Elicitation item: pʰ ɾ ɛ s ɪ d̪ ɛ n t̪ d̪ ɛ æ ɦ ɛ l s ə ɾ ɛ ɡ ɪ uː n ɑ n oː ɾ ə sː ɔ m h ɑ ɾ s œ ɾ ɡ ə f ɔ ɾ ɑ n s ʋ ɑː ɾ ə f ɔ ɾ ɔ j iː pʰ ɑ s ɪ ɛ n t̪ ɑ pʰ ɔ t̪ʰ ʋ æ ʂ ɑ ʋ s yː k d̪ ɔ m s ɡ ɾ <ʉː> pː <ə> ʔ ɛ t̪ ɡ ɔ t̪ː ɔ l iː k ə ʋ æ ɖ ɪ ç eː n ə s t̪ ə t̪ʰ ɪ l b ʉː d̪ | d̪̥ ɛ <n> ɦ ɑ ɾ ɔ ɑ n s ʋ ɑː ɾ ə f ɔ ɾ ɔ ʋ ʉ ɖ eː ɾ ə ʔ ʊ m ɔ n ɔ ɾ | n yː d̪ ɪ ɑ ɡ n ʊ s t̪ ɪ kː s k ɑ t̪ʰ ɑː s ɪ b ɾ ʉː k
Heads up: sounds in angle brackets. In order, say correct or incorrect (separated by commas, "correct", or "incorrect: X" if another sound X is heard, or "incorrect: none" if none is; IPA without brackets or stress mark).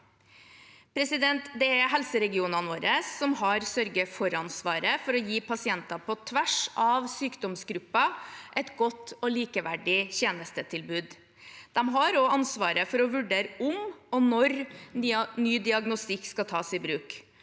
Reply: incorrect: ʉ, incorrect: ɑ, incorrect: m